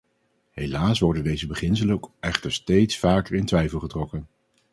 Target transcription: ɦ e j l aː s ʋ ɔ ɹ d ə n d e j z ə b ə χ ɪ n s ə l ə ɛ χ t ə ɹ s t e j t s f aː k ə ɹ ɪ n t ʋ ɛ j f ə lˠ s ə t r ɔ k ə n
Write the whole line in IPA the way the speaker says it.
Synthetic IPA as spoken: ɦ e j l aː s ʋ ɔ ɹ d ə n d e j z ə b ə χ ɪ n s ə l ə ɛ χ t ə ɹ s t e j t s f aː k ə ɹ ɪ n t ʋ ɛ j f ə lˠ χ ə t r ɔ k ə n